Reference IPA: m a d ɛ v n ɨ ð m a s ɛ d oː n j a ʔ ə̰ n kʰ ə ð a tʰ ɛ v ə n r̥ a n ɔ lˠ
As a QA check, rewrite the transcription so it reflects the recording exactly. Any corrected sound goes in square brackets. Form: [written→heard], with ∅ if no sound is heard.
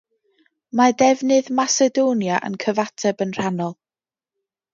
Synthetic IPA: m a d ɛ v n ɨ ð m a s ɛ d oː n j a ʔ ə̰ n kʰ ə [ð→v] a tʰ ɛ [v→b] ə n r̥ a n ɔ lˠ